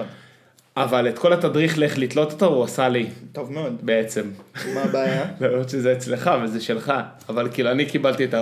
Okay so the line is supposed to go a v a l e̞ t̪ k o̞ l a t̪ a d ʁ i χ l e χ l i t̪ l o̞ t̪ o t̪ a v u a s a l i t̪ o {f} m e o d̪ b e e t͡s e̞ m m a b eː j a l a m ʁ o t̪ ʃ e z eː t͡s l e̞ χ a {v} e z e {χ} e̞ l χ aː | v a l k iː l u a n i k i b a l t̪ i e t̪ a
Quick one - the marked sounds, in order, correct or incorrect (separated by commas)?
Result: incorrect, correct, incorrect